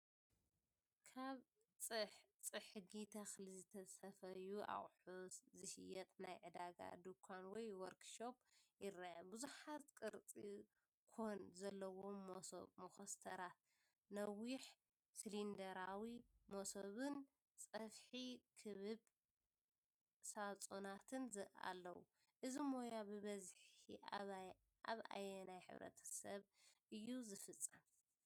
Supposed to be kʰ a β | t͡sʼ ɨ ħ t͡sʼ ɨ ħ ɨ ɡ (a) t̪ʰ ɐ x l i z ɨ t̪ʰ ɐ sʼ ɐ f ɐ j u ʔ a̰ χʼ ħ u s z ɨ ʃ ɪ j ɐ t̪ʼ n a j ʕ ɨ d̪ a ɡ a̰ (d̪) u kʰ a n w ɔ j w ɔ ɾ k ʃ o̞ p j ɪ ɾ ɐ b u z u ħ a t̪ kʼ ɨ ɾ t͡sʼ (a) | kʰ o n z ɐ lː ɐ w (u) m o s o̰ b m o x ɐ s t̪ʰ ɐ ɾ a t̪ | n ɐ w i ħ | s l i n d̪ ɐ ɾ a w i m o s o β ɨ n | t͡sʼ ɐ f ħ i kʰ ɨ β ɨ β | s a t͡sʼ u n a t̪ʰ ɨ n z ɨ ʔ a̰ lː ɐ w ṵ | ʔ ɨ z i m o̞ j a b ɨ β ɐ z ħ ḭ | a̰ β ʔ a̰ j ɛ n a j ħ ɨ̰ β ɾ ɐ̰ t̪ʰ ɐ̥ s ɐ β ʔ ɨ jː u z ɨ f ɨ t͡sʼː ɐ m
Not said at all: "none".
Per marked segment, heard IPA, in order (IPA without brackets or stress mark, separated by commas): i, d̪, i, o